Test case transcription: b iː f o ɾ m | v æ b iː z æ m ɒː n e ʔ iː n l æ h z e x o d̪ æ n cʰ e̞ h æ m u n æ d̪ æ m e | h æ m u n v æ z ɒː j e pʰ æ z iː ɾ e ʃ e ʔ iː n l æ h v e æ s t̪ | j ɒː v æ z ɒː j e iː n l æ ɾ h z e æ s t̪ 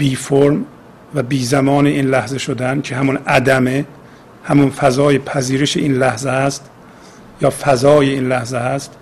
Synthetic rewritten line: b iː f o ɾ m | v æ b iː z æ m ɒː n e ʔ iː n l æ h z e ʃ o d̪ æ n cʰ e̞ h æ m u n æ d̪ æ m e | h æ m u n f æ z ɒː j e pʰ æ z iː ɾ e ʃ e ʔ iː n l æ h z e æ s t̪ | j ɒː f æ z ɒː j e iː n l æ h z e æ s t̪